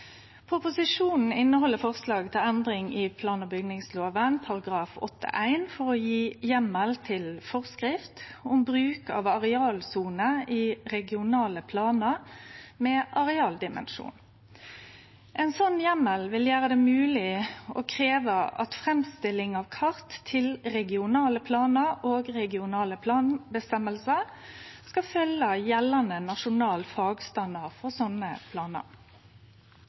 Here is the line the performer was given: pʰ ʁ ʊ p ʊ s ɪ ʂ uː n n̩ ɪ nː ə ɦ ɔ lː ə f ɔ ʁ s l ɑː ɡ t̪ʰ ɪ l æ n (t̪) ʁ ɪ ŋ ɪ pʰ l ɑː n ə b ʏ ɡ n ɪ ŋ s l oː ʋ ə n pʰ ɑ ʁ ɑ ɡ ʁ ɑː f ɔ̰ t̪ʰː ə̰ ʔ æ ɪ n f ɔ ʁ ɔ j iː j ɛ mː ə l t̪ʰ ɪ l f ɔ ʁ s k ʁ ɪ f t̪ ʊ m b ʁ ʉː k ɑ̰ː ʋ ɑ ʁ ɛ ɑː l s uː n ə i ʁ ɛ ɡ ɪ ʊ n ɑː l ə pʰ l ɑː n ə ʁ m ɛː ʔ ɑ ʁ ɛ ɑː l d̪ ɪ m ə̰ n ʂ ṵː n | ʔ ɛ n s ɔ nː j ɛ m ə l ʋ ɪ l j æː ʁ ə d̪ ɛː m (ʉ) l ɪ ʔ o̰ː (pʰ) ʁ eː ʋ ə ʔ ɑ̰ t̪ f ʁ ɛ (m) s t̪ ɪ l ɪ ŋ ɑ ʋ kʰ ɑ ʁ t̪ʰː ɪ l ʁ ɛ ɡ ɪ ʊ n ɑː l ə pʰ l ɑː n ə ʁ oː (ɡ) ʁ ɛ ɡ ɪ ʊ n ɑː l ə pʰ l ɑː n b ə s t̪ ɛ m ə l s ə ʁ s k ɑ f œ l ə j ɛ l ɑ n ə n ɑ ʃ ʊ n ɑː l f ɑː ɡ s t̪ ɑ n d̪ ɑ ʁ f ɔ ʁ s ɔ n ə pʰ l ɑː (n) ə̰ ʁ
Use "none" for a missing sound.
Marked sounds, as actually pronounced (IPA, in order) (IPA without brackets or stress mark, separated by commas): d̪, ʉː, kʰ, m, ɡ, n